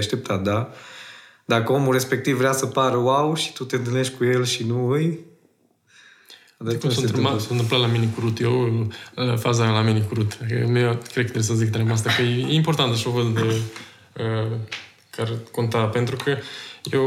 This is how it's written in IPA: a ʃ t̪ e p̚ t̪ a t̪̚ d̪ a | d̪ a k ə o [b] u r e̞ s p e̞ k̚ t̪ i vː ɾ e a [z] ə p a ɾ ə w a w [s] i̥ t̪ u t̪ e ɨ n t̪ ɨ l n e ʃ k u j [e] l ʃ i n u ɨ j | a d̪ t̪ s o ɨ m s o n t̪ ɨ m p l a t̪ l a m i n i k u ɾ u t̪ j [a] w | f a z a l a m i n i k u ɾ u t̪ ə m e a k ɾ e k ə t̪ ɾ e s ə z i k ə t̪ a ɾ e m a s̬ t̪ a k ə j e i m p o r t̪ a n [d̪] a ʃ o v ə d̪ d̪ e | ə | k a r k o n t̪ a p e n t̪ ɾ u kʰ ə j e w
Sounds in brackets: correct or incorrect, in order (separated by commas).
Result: incorrect, incorrect, incorrect, correct, incorrect, incorrect